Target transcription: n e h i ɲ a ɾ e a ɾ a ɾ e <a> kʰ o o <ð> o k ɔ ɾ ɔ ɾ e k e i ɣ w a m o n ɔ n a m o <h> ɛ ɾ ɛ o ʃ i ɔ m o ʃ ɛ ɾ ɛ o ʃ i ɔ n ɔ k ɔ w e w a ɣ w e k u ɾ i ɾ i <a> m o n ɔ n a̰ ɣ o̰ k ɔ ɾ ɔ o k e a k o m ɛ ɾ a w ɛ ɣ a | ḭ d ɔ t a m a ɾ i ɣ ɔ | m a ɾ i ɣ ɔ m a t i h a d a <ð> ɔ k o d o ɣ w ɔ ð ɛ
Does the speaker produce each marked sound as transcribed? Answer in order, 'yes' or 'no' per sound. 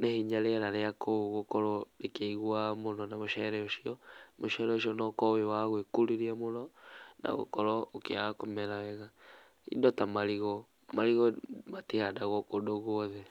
yes, no, no, yes, no

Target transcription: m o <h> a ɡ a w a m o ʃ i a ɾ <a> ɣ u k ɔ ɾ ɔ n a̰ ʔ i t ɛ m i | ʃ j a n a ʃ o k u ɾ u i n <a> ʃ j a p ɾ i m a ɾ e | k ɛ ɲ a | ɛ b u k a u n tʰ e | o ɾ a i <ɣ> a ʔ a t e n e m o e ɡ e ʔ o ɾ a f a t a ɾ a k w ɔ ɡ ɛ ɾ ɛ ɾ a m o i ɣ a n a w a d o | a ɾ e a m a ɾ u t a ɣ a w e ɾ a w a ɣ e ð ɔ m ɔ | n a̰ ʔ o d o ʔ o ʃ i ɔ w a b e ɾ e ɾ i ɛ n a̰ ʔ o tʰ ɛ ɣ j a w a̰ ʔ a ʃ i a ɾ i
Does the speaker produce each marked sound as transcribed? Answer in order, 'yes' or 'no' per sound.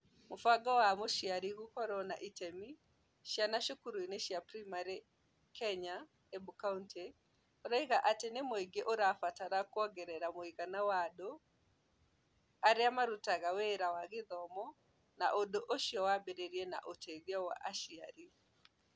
no, no, no, yes

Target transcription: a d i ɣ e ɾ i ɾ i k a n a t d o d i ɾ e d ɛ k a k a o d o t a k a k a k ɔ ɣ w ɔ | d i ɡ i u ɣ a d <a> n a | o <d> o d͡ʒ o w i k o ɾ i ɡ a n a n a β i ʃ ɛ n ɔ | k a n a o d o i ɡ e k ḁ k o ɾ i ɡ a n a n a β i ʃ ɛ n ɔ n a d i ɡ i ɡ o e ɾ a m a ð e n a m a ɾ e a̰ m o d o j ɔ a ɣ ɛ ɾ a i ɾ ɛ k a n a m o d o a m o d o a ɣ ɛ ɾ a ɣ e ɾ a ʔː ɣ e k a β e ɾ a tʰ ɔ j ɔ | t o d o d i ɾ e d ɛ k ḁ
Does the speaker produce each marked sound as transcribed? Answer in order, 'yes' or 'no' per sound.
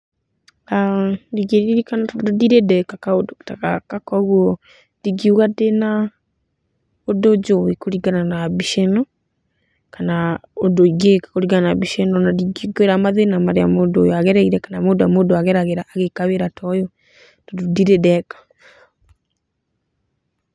no, yes

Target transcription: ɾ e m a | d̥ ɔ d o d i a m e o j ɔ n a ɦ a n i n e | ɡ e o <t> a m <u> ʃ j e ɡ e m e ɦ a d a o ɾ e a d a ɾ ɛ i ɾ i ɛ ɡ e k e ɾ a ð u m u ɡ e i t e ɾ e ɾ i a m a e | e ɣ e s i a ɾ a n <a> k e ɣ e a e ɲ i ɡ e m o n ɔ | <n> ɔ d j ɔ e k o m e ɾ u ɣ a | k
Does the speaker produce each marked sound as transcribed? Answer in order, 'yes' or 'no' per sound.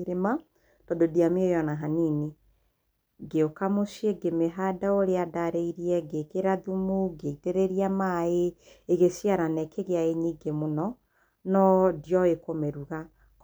no, no, no, yes

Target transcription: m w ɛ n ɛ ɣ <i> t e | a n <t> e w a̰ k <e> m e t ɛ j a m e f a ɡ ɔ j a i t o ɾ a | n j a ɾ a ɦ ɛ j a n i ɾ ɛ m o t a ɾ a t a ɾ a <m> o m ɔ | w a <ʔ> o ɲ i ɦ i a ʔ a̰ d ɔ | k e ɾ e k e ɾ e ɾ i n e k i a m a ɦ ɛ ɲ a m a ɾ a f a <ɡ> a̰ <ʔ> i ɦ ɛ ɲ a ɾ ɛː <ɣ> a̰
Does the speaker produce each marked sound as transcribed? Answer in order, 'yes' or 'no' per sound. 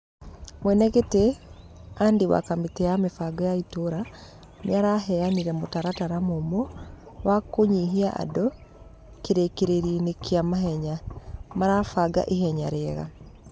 no, no, no, yes, no, yes, yes, yes

